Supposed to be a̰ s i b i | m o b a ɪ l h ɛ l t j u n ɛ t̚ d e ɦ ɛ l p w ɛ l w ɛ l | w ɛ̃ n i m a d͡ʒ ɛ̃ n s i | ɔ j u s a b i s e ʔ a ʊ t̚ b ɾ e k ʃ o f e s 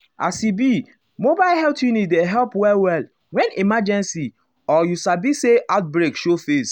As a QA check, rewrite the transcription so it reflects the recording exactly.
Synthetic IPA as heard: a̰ s i b i | m o b a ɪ l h ɛ l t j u n i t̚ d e ɦ ɛ l p w ɛ l w ɛ l | w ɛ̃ n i m a d͡ʒ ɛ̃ n s i | ɔ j u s a b i s e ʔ a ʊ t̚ b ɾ e k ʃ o f e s